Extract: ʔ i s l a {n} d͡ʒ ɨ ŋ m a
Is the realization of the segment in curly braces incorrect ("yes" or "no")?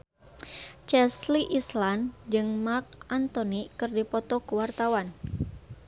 no